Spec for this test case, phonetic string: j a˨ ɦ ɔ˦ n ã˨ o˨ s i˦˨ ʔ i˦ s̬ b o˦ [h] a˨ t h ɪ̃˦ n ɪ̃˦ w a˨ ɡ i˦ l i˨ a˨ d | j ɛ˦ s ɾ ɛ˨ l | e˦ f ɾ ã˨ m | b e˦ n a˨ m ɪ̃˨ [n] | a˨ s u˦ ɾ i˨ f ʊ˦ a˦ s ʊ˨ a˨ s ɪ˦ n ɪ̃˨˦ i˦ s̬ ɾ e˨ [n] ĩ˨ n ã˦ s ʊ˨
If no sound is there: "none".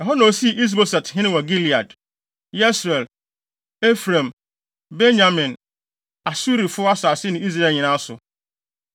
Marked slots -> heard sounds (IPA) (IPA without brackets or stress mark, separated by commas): s, n, ɲ